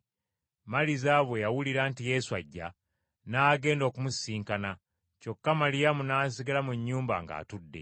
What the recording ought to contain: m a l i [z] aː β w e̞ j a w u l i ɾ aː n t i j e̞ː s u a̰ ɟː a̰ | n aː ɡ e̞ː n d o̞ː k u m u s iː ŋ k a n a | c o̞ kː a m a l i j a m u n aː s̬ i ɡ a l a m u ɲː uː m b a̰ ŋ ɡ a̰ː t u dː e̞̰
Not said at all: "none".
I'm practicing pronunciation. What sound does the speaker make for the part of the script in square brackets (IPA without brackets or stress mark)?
z